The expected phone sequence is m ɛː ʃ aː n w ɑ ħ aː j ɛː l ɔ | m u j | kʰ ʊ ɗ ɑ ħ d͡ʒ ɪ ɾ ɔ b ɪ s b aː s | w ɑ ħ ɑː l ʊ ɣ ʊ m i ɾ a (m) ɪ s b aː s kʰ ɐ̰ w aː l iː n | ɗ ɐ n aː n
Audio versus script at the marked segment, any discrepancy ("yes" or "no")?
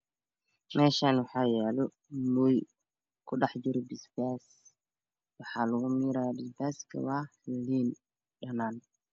yes